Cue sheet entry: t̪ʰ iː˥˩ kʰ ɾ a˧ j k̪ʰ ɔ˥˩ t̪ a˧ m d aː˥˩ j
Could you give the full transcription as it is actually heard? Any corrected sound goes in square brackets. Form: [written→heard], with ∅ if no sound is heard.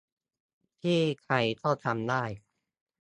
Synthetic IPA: t̪ʰ iː˥˩ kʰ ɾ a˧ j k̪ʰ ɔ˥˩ [t̪→t̪ʰ] a˧ m d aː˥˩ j

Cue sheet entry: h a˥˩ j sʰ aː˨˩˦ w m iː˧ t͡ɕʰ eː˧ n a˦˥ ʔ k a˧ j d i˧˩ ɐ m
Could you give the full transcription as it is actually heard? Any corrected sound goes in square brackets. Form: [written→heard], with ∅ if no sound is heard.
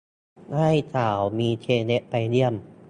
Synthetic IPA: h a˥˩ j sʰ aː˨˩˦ w m iː˧ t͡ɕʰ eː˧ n [a˦˥→e˦˥] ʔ [k→p] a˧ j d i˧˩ [ɐ→ə] m

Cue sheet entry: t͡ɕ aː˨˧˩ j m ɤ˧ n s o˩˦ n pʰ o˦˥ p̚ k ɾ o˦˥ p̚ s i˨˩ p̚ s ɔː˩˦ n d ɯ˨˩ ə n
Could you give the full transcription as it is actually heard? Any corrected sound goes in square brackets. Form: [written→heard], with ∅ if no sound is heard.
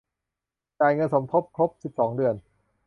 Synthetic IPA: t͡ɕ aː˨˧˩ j [m→ŋ] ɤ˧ n s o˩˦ [n→m] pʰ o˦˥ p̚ [k→kʰ] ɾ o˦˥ p̚ s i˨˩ p̚ s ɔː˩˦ [n→ŋ] d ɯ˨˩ ə n

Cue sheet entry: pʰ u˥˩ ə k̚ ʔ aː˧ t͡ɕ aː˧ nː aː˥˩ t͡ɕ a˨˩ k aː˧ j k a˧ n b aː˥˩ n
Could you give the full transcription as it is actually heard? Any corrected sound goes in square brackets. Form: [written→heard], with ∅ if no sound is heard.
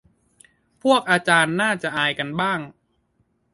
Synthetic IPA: pʰ u˥˩ ə k̚ ʔ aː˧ t͡ɕ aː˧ nː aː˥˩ t͡ɕ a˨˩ [k→ʔ] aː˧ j k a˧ n b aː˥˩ [n→ŋ]

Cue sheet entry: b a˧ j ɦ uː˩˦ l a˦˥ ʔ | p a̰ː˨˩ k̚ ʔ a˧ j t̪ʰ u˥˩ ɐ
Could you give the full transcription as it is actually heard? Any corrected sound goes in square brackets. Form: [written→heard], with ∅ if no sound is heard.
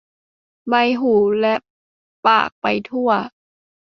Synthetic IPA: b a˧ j ɦ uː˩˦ l [a˦˥→ɛ˦˥] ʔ | p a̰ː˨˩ k̚ [ʔ→p] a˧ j t̪ʰ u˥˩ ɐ

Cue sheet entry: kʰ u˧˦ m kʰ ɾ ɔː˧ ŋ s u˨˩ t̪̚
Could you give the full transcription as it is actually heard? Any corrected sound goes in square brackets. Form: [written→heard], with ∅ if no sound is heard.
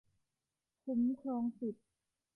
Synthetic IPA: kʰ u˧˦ m kʰ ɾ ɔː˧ ŋ s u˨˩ t̪̚

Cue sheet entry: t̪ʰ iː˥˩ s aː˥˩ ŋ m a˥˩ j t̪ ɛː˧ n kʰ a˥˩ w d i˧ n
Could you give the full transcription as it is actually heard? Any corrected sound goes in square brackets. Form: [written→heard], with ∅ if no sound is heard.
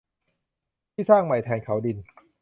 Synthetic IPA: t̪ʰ iː˥˩ s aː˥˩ ŋ m [a˥˩→a˨˩] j [t̪→t̪ʰ] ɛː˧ n kʰ [a˥˩→a˩˦] w d i˧ n

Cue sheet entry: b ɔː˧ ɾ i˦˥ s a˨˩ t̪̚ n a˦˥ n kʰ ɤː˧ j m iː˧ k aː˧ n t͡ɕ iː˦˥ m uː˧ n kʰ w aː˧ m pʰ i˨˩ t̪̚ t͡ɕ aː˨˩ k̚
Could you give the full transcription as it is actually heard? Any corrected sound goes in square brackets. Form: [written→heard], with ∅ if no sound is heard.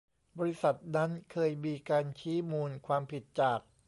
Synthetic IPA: b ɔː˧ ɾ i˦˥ s a˨˩ t̪̚ n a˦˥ n kʰ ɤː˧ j m iː˧ k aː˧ n [t͡ɕ→t͡ɕʰ] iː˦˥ m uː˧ n kʰ w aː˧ m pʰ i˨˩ t̪̚ t͡ɕ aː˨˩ k̚

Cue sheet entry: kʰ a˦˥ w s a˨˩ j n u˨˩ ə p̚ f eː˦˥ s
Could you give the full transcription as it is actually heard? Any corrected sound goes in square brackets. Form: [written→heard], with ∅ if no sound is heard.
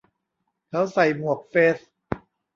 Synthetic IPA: kʰ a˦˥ w s a˨˩ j [n→m] u˨˩ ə [p̚→k̚] f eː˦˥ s

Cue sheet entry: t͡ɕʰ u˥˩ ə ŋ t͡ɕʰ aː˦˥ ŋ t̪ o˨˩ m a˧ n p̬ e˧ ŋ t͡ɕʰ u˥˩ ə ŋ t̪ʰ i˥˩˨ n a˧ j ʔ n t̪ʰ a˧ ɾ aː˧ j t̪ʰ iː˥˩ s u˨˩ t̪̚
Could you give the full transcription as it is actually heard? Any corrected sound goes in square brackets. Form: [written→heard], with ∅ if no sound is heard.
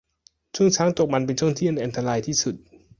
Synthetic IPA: t͡ɕʰ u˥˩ ə ŋ t͡ɕʰ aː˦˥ ŋ t̪ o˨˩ m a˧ n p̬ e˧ [ŋ→n] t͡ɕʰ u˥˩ ə ŋ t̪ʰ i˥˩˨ n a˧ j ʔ n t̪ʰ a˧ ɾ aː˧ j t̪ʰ iː˥˩ s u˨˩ t̪̚

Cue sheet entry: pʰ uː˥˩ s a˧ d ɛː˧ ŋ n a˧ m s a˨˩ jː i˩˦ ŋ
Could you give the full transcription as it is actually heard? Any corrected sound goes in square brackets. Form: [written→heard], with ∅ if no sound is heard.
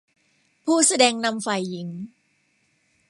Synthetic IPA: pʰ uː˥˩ s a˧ d ɛː˧ ŋ n a˧ m [s→f] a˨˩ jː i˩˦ ŋ

